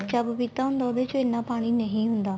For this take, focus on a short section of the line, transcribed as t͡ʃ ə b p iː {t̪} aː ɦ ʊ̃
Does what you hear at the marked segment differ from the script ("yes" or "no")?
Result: no